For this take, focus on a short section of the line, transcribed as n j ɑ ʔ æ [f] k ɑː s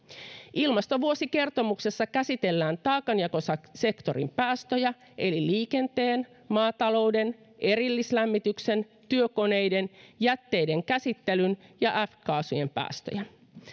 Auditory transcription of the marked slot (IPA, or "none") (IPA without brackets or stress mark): f